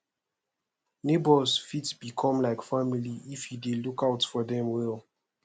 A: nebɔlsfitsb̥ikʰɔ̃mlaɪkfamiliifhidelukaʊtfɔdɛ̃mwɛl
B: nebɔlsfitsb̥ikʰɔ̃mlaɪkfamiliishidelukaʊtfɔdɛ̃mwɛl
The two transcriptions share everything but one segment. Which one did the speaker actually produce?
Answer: A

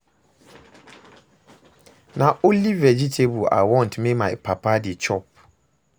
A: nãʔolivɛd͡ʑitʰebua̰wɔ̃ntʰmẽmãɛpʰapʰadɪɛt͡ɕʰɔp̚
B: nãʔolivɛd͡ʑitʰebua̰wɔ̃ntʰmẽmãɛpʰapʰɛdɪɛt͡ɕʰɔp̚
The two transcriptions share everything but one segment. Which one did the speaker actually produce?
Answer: A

